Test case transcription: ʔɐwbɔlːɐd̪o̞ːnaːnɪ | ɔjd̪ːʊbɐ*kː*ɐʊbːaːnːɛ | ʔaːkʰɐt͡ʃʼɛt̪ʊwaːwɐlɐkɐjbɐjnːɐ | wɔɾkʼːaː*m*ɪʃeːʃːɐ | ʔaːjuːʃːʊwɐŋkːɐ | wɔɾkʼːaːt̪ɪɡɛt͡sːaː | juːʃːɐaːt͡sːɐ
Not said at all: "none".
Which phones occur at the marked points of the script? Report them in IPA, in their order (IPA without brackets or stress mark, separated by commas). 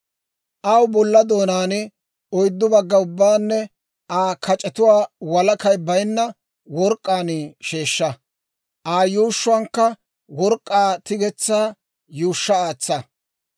ɡː, n